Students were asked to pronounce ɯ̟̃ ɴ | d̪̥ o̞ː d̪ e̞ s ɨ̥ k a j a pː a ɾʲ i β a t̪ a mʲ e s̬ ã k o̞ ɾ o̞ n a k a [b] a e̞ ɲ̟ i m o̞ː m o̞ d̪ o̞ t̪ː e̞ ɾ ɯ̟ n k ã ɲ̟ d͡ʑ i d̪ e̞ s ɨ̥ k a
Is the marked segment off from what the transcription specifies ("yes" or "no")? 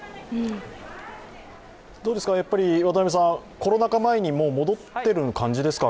yes